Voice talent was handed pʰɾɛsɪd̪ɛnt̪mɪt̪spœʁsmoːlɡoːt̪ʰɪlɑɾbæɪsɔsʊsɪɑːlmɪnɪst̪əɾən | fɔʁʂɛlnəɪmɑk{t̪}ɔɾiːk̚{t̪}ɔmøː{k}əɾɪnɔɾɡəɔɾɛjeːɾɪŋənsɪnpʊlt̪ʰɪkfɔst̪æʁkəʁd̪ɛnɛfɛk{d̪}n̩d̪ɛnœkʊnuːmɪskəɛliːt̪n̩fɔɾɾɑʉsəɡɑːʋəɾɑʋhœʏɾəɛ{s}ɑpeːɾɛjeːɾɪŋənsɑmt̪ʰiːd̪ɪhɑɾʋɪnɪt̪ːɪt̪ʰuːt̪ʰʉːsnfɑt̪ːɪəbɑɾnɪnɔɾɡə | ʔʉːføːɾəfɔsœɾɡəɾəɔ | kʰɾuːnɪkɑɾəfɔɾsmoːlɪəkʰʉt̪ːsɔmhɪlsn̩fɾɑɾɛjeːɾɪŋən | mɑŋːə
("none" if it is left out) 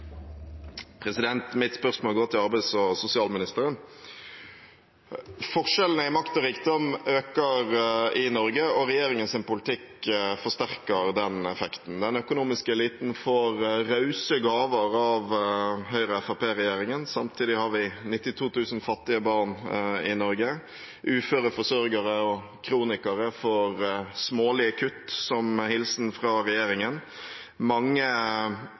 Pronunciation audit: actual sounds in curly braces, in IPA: t̪, d̪, k, t̪, f

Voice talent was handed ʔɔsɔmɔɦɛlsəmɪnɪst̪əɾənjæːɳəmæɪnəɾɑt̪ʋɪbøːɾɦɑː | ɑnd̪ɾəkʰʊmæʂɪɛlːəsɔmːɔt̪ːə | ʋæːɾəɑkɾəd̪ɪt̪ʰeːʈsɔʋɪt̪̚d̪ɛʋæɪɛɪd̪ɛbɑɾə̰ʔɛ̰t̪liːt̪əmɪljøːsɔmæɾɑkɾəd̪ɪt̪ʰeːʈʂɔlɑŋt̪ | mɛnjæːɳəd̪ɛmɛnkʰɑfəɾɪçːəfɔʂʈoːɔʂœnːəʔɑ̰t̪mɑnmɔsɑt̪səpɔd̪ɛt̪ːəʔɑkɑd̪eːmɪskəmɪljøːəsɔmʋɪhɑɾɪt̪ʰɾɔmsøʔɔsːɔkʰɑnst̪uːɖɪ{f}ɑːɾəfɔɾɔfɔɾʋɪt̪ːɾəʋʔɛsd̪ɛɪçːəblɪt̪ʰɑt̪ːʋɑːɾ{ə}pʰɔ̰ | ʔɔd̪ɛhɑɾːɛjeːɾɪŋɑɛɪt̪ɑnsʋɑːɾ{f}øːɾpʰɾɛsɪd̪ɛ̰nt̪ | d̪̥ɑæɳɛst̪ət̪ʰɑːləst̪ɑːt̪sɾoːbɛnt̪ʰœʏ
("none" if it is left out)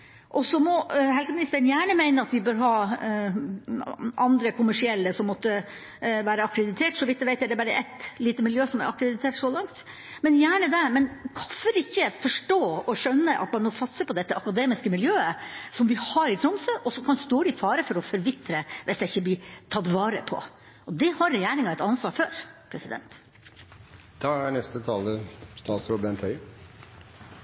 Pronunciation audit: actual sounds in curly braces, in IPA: f, ə, f

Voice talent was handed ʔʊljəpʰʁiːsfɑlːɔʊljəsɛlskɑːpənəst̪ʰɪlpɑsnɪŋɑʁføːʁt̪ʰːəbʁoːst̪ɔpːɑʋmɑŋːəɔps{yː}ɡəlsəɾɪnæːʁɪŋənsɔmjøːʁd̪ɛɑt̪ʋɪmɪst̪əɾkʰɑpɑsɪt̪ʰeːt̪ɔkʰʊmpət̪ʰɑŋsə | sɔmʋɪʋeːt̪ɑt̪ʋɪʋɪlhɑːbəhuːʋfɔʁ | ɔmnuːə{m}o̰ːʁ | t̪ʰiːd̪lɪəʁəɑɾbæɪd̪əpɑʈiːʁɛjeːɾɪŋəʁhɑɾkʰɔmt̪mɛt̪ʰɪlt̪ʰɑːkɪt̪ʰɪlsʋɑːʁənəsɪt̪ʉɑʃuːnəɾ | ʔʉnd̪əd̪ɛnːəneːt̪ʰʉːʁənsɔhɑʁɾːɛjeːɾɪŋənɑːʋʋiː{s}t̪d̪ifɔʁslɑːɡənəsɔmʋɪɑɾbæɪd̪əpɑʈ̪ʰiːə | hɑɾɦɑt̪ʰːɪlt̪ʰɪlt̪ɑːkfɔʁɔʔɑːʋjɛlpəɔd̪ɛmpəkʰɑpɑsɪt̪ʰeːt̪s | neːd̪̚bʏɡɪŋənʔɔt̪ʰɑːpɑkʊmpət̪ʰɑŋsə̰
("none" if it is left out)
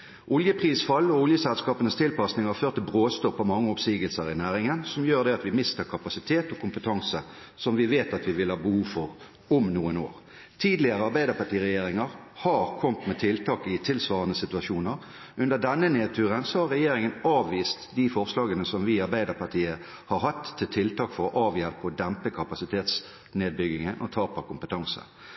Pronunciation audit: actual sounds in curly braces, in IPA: iː, n, s

